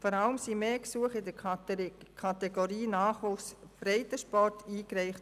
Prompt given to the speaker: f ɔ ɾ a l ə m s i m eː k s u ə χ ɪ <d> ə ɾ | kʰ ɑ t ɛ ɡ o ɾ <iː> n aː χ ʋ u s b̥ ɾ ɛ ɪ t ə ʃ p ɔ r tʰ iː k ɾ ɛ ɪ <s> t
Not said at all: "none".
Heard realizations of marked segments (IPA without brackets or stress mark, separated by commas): d, iː, χ